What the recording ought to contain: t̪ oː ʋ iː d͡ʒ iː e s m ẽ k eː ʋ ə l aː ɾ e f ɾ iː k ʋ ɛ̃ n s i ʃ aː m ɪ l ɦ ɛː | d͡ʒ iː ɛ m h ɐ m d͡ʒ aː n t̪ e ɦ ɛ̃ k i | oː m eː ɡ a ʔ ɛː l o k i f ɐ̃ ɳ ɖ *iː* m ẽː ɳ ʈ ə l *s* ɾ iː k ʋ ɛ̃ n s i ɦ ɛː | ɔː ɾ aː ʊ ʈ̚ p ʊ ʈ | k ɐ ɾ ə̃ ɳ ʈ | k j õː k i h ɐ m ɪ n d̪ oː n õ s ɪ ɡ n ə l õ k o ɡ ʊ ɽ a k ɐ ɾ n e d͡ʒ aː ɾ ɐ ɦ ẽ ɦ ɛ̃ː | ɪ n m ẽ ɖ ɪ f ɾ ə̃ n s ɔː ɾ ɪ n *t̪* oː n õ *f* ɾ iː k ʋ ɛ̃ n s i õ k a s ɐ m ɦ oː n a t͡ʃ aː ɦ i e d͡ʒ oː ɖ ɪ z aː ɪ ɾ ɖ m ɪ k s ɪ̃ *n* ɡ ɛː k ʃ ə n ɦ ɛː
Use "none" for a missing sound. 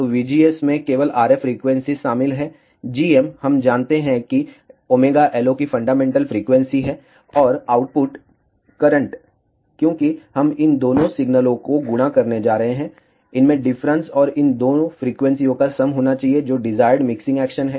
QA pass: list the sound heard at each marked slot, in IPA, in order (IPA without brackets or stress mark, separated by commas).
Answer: aː, f, d̪, f, ŋ